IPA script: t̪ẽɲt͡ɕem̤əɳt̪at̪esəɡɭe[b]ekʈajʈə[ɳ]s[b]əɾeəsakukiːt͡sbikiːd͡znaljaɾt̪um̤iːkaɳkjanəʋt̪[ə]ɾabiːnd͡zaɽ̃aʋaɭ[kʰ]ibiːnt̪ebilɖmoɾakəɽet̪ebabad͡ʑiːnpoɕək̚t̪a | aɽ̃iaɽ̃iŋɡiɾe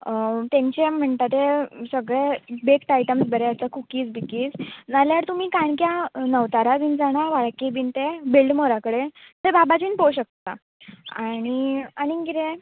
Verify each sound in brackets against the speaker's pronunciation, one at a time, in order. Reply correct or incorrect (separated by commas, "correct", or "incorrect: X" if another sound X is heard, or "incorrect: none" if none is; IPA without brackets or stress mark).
correct, incorrect: m, correct, incorrect: a, incorrect: k